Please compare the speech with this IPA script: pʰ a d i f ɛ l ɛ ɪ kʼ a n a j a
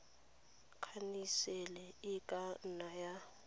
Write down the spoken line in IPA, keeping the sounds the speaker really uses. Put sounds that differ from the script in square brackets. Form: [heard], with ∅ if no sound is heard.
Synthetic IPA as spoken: [kʰ] a [n] i [s] ɛ l ɛ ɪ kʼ a n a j a